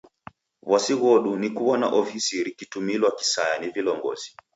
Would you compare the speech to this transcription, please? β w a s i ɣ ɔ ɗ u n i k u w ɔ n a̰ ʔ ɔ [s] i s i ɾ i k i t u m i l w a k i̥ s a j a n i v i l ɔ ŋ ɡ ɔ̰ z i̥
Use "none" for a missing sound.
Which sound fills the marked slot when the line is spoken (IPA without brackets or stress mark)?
f